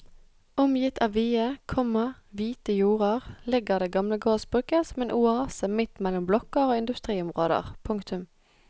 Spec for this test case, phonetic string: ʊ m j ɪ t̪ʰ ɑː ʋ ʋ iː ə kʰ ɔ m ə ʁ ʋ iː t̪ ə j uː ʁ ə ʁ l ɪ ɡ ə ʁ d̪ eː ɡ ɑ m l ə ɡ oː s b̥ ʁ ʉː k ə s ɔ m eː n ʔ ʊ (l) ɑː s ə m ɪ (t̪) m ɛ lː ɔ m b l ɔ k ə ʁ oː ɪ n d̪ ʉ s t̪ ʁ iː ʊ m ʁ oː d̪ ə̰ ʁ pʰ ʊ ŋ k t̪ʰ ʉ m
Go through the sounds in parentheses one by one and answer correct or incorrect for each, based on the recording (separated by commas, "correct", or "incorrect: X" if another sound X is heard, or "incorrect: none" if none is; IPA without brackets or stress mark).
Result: incorrect: none, correct